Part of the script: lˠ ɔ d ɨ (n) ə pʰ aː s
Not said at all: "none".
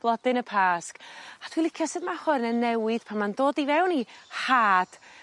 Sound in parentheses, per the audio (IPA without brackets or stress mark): n